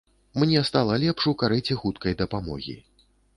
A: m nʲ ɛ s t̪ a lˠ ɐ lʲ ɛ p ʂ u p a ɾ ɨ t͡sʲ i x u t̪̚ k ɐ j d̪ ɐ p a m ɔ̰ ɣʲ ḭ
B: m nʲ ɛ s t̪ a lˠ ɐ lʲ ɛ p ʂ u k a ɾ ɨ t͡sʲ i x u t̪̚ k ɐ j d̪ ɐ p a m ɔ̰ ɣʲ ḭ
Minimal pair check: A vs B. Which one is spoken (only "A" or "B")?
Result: B